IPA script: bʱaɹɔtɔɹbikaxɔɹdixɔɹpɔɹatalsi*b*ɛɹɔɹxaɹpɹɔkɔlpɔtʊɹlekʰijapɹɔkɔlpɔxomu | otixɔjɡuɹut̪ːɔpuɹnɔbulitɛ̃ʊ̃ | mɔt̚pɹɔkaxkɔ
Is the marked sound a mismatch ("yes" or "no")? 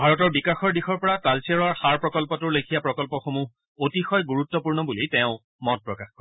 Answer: yes